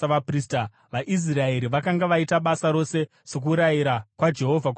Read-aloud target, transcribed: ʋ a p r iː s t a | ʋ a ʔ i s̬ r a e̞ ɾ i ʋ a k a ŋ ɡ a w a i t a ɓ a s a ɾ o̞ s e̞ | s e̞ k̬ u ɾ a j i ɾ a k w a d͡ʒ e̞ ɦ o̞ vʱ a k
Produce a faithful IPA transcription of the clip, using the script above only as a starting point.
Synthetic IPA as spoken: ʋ a p r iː s t a | ʋ a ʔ i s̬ r a e̞ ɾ i ʋ a k a ŋ ɡ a ʋ a i t a ɓ a s a ɾ o̞ s e̞ | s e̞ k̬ u ɾ a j i ɾ a k w a d͡ʒ e̞ ɦ o̞ vʱ a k